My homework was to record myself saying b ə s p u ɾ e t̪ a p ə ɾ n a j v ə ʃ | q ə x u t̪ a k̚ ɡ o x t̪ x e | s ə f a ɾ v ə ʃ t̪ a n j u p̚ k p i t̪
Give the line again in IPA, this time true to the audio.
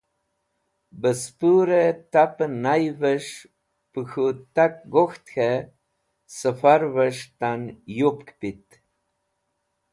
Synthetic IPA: b ə s p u ɾ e t̪ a p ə n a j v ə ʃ | p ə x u t̪ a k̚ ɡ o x t̪ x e | s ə f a ɾ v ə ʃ t̪ a n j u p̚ k p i t̪